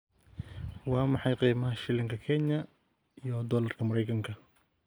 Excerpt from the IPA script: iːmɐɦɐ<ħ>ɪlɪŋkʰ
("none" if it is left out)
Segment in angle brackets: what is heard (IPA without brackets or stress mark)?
ʃ